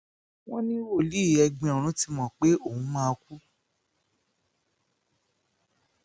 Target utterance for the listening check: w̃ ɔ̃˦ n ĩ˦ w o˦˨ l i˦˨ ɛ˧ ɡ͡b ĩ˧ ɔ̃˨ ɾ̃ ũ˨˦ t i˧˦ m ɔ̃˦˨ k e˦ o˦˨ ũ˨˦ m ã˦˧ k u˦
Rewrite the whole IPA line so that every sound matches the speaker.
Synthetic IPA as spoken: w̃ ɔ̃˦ n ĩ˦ w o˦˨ l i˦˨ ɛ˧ ɡ͡b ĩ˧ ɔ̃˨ ɾ̃ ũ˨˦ t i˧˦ m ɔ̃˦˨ k͡p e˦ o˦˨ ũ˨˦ m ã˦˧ k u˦